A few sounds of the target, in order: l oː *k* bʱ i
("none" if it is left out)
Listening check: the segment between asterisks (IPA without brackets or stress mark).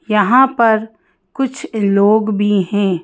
ɡ